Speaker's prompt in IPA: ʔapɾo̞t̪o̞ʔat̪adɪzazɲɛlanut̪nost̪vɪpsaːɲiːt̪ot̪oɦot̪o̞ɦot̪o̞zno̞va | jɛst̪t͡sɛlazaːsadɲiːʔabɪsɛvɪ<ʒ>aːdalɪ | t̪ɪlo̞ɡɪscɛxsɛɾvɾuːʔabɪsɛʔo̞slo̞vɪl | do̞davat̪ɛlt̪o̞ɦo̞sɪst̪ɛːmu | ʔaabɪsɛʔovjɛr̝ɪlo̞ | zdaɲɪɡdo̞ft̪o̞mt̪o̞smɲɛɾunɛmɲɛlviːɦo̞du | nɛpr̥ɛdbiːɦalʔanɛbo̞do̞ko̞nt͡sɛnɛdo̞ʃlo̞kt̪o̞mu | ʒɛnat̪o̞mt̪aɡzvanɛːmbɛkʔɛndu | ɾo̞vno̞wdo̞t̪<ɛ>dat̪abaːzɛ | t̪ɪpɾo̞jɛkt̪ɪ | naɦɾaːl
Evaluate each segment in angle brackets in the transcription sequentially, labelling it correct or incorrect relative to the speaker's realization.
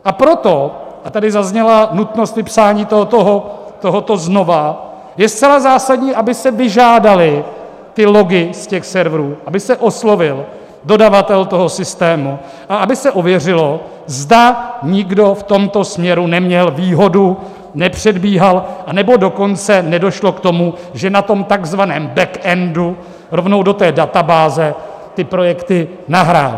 correct, incorrect: ɛː

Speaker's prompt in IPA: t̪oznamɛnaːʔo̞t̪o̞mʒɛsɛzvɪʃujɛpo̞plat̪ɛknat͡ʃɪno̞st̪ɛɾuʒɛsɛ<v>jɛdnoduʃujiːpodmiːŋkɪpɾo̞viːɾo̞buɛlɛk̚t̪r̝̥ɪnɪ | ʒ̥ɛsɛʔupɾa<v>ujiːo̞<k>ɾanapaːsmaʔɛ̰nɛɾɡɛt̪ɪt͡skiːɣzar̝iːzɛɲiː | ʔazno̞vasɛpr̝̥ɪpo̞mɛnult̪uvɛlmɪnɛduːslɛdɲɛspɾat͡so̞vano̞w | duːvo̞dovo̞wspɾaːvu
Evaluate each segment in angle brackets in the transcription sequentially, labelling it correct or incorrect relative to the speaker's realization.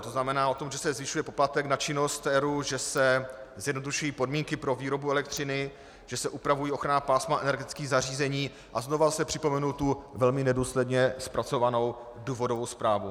incorrect: z, correct, incorrect: x

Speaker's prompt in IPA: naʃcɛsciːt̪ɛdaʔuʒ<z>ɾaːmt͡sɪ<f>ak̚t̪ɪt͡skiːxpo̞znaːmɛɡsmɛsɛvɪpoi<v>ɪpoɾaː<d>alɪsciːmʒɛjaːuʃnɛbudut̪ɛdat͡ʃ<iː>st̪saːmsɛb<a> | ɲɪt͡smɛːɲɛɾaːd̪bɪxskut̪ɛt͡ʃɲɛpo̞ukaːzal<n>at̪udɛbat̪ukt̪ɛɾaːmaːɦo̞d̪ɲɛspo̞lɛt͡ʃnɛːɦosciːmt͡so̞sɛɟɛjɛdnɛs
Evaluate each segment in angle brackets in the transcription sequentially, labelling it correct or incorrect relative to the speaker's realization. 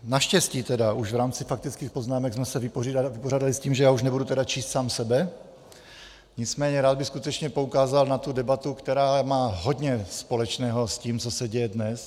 incorrect: v, correct, correct, correct, correct, incorrect: ɛ, correct

